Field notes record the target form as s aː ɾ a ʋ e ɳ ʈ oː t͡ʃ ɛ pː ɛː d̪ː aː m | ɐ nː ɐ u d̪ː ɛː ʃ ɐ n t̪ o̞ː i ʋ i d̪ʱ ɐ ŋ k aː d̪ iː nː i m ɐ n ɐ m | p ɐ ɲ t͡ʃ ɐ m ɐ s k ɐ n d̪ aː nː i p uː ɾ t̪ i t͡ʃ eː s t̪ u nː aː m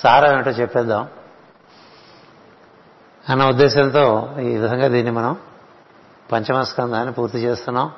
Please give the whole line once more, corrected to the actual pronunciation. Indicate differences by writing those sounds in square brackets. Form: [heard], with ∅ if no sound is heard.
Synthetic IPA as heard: s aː ɾ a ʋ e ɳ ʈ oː t͡ʃ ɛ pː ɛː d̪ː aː m | ɐ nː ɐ u d̪ː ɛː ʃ ɐ n t̪ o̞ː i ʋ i d̪ʱ ɐ ŋ [ɡ] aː d̪ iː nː i m ɐ n ɐ m | p ɐ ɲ t͡ʃ ɐ m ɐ s k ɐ n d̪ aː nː i p uː ɾ t̪ i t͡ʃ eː s t̪ u nː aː m